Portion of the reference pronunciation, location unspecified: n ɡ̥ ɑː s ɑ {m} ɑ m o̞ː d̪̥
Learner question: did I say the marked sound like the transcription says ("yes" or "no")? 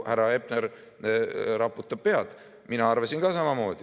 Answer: yes